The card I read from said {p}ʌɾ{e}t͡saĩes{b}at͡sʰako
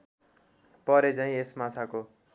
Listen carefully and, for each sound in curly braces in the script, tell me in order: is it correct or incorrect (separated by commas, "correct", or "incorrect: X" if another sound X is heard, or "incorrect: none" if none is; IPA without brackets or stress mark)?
correct, correct, incorrect: m